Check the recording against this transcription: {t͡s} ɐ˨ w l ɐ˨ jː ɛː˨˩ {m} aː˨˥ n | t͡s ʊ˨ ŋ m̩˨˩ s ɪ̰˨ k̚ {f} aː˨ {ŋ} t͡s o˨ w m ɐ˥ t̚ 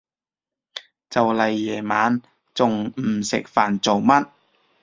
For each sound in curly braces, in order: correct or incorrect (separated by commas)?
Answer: correct, correct, correct, incorrect